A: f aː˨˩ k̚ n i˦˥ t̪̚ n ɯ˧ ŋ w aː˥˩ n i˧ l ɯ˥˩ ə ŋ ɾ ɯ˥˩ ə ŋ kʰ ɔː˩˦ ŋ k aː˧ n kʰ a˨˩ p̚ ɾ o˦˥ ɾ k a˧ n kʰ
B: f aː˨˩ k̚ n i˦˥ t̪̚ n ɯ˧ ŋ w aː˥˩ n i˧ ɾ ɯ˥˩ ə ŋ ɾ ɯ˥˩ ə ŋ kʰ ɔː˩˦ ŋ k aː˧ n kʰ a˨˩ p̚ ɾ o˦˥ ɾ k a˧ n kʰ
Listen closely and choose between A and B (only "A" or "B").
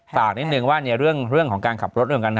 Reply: B